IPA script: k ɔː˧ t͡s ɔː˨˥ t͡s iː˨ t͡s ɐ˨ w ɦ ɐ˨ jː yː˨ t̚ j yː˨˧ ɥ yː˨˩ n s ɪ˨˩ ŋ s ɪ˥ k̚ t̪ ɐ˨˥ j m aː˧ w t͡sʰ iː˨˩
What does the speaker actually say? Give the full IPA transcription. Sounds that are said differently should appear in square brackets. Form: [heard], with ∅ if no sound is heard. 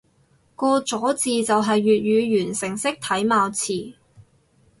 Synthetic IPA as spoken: k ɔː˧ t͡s ɔː˨˥ t͡s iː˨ t͡s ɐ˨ w ɦ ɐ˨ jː yː˨ t̚ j yː˨˧ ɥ yː˨˩ n s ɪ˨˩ ŋ s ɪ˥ k̚ [t̪ʰ] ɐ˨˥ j m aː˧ w t͡sʰ iː˨˩